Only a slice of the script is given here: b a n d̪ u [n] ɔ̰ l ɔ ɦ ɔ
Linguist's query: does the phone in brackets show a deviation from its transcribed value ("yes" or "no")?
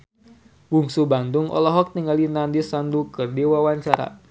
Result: yes